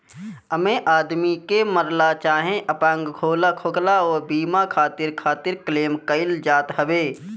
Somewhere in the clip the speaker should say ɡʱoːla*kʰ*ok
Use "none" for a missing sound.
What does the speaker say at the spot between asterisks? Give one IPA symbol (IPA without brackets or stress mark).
kʰ